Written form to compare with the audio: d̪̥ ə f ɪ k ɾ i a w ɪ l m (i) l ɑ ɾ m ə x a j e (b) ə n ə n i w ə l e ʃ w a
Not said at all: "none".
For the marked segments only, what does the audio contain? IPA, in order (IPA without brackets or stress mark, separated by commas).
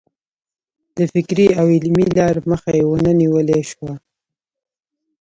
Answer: i, w